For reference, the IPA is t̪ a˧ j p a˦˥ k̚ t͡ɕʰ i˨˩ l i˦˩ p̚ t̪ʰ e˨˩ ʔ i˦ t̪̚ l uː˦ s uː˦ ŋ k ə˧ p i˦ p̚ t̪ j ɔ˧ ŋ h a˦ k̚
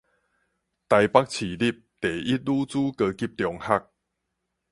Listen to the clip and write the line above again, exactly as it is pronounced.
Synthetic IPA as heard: t̪ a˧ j p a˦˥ k̚ t͡ɕʰ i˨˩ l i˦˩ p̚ t̪ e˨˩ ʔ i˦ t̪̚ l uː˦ t͡s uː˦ k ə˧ k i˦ p̚ t̪ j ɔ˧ ŋ h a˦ k̚